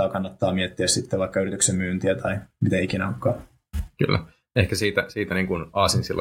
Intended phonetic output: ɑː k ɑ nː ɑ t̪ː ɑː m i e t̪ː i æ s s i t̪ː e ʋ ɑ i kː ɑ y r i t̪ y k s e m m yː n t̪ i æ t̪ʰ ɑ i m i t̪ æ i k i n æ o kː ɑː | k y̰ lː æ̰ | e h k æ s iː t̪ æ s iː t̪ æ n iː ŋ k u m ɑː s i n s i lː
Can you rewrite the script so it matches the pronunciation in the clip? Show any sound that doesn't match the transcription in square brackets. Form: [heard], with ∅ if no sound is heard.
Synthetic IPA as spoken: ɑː k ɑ nː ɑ t̪ː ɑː m i e t̪ː i æ s s i t̪ː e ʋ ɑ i kː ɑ y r i t̪ y k s e m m yː n t̪ i æ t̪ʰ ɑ i m i t̪ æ i k i n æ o kː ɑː | k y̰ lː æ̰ | e h k æ s iː t̪ æ s iː t̪ æ n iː ŋ k u [n] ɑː s i n s i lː